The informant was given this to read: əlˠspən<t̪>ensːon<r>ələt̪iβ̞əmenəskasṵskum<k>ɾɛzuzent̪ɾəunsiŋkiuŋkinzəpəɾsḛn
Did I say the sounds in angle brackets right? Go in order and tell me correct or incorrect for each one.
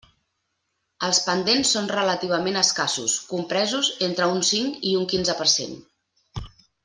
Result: incorrect: d̪, correct, incorrect: p

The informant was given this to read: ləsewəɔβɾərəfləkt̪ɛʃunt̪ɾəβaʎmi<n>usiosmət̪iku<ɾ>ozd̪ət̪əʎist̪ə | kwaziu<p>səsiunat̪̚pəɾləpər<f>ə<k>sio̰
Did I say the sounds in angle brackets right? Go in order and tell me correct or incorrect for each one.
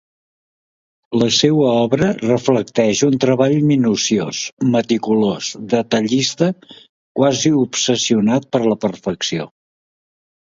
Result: correct, incorrect: l, correct, correct, correct

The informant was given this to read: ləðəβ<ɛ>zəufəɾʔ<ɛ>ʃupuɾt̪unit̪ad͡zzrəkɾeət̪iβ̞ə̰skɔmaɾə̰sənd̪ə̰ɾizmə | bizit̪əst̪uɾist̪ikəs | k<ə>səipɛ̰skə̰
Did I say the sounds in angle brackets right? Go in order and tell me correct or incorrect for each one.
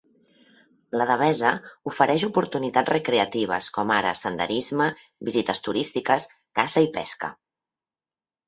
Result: correct, correct, incorrect: a

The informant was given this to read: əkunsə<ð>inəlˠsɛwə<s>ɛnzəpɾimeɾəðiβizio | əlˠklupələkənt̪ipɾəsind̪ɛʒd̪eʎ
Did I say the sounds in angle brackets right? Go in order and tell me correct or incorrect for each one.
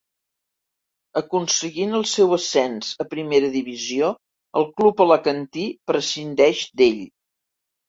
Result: incorrect: ɣ, correct

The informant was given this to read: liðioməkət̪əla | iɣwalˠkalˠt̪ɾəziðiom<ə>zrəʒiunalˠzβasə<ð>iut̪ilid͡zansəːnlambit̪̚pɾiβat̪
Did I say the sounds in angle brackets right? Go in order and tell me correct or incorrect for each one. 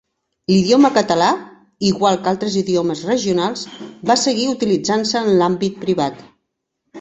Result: correct, incorrect: ɣ

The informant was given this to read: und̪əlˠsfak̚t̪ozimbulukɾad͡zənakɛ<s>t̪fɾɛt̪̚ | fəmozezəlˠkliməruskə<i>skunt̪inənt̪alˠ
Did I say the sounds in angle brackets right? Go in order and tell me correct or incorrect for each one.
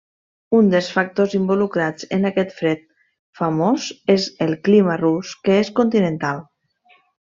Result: incorrect: none, incorrect: e

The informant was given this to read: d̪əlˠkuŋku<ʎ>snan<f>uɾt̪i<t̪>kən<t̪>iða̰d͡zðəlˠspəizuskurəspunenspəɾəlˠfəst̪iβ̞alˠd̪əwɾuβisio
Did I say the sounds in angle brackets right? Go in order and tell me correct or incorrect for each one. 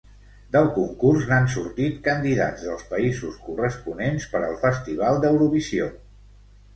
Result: incorrect: r, incorrect: s, correct, incorrect: d̪

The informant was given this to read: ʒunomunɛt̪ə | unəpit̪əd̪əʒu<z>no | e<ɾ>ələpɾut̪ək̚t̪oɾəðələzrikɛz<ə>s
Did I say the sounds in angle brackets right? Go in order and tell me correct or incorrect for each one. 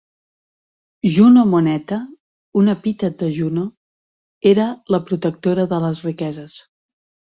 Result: incorrect: none, correct, correct

